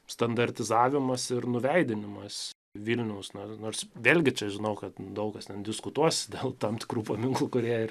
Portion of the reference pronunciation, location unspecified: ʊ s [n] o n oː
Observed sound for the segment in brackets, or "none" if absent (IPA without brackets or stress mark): n